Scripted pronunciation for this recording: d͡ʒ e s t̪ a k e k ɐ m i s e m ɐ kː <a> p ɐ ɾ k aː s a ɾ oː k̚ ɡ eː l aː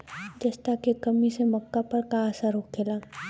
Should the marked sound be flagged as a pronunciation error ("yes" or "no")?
no